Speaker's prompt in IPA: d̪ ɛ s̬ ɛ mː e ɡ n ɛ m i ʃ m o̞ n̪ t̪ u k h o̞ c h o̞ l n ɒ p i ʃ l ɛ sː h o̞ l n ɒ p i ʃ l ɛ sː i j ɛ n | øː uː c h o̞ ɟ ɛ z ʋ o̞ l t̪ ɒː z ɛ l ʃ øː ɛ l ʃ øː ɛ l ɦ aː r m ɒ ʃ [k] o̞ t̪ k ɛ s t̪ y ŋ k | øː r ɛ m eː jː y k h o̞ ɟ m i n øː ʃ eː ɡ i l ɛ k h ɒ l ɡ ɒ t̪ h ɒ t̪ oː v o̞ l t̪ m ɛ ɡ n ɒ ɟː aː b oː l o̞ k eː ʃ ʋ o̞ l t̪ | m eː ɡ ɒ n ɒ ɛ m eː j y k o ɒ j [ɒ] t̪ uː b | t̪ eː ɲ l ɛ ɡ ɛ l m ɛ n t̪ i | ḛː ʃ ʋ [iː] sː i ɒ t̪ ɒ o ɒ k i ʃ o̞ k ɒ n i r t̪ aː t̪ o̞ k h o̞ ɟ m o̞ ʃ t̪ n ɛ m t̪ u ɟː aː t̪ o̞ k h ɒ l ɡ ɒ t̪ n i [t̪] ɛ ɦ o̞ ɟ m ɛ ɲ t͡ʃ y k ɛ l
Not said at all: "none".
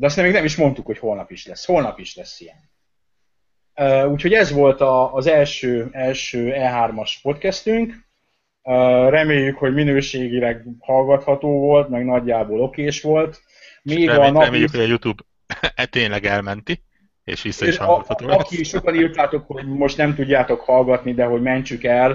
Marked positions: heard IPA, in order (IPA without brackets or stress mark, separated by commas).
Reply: p, u, i, d̪